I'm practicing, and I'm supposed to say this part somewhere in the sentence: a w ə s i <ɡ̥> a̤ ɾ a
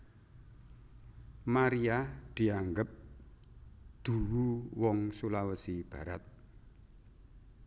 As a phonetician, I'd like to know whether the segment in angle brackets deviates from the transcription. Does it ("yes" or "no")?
yes